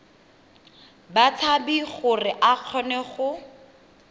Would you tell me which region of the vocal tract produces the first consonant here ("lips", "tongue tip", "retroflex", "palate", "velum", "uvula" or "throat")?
lips